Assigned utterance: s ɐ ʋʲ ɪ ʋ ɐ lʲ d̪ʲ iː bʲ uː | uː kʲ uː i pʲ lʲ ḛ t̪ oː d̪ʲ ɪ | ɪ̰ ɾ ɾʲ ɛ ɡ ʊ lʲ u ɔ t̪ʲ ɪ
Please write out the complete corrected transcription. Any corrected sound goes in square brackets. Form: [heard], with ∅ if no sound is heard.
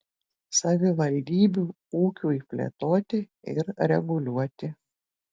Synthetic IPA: s ɐ ʋʲ ɪ ʋ ɐ lʲ d̪ʲ iː bʲ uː | uː kʲ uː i pʲ lʲ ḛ t̪ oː [t̪ʲ] ɪ | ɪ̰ ɾ ɾʲ ɛ ɡ ʊ lʲ u ɔ t̪ʲ ɪ